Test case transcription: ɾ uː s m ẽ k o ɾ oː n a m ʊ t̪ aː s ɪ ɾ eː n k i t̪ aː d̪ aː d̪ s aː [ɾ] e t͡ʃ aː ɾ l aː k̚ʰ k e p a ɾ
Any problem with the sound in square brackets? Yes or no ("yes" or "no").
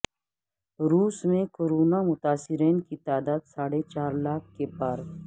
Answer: yes